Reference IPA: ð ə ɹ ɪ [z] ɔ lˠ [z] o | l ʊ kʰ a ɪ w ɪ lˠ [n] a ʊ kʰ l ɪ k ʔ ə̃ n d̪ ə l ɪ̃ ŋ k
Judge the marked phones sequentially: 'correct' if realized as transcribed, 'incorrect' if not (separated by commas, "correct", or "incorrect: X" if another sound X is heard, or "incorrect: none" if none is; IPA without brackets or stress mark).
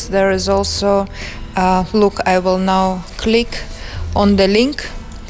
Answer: correct, incorrect: s, correct